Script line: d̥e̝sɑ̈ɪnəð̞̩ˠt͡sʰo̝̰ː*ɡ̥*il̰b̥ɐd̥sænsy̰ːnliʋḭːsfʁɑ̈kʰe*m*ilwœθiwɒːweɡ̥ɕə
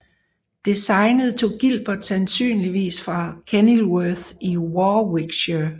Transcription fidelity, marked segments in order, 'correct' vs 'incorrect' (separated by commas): correct, incorrect